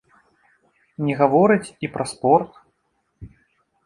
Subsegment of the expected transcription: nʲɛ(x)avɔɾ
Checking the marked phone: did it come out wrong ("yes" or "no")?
yes